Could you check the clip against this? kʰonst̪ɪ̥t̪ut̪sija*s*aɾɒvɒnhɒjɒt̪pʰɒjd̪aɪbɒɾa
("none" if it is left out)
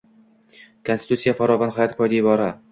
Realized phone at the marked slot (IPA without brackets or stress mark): f